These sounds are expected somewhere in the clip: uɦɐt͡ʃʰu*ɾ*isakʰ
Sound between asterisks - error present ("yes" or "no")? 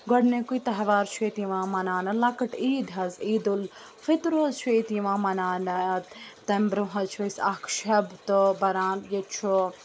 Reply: yes